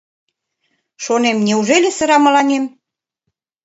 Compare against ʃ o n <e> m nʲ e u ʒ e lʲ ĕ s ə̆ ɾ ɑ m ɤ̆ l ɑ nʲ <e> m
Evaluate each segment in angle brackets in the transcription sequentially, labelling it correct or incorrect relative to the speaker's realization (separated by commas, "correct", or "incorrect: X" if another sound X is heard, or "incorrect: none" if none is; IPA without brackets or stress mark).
correct, correct